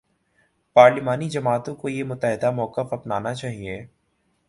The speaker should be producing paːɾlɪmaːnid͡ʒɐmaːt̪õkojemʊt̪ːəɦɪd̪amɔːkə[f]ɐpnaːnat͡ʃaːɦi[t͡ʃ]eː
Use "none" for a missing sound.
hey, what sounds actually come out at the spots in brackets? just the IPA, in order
f, none

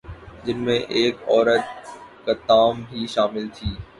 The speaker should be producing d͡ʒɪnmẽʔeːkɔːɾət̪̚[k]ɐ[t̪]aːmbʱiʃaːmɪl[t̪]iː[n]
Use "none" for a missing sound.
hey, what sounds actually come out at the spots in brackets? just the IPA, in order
k, t̪, t̪ʰ, none

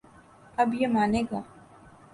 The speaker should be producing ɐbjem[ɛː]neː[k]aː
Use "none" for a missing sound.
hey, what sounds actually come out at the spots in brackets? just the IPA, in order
aː, ɡ

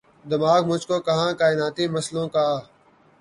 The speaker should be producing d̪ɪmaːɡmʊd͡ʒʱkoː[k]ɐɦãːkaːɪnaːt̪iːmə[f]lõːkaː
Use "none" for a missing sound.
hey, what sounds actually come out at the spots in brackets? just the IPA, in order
k, s

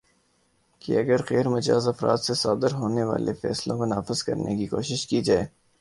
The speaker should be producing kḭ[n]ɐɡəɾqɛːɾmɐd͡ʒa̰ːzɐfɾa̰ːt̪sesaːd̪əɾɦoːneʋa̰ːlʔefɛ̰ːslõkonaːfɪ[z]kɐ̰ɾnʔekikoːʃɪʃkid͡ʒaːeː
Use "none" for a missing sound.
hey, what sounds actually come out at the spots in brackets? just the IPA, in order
none, z

